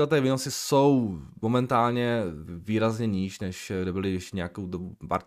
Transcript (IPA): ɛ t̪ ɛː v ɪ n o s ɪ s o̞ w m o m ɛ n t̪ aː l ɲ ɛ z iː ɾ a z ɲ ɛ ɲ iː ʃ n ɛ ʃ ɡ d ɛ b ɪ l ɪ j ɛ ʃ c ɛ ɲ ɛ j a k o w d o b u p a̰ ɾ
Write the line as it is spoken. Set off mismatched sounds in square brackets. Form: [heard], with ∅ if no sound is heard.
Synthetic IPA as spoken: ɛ t̪ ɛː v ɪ n o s ɪ s o̞ w m o m ɛ n t̪ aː l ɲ ɛ [v] iː ɾ a z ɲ ɛ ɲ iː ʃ n ɛ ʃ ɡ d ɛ b ɪ l ɪ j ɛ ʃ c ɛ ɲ ɛ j a k o w d o b u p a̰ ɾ